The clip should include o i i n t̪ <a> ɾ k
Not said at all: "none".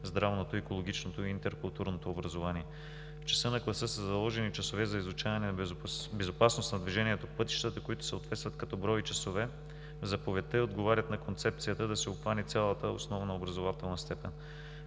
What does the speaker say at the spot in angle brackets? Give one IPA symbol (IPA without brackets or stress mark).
ɛ